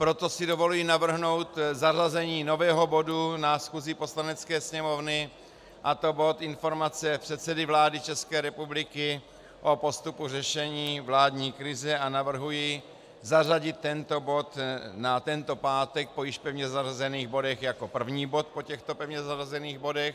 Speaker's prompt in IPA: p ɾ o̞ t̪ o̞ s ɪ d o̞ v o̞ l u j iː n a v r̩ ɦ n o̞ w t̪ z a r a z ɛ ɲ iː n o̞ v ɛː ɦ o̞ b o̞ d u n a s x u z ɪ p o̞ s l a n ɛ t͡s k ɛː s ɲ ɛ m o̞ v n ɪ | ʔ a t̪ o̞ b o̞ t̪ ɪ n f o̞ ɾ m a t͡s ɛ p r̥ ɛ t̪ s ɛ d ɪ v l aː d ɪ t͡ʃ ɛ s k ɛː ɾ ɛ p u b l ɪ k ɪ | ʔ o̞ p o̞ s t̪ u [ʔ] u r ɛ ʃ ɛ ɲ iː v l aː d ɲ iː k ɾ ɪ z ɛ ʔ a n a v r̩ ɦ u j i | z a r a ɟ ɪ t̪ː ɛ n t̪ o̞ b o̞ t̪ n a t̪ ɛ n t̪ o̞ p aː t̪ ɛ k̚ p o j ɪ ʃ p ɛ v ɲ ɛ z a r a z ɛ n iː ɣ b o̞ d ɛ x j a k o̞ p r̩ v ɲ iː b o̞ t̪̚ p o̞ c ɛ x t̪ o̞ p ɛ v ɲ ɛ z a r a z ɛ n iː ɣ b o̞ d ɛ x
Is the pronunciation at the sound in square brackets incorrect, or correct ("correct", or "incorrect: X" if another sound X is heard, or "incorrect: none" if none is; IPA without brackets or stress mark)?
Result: incorrect: p